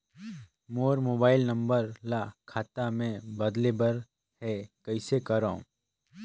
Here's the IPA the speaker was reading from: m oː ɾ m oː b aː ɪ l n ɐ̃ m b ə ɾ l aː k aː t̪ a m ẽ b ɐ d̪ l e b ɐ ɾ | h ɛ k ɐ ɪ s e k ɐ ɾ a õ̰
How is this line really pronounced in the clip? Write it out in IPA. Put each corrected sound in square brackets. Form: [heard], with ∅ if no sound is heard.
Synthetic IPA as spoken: m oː ɾ m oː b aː ɪ l n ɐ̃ m b ə ɾ l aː [kʰ] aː t̪ a m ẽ b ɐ d̪ l e b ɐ ɾ | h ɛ k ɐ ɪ s e k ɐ ɾ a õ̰